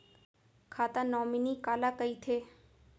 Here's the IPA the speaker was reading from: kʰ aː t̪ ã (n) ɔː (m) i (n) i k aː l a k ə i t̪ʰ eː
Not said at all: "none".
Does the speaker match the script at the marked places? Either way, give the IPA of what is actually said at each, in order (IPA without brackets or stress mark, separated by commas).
n, m, n